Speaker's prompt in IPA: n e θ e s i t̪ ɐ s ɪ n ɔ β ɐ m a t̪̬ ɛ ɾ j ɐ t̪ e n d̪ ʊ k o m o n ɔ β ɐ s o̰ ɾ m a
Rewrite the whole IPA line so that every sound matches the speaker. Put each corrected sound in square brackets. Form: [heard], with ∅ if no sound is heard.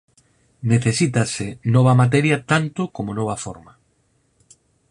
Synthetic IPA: n e θ e s i t̪ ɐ s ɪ n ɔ β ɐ m a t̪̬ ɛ ɾ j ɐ t̪ [a] n [t̪] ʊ k o m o n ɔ β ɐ [f] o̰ ɾ m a